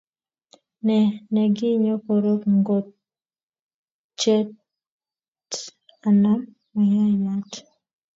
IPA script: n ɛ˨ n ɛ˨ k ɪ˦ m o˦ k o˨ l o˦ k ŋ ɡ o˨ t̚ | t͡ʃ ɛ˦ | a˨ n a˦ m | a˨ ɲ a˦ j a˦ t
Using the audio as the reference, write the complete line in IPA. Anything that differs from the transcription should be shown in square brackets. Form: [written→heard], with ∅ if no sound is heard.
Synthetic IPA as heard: n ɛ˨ n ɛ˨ [k→ɡ] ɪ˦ [m→ɲ] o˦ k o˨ [l→ɾ] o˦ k ŋ ɡ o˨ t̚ | t͡ʃ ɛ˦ | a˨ n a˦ m | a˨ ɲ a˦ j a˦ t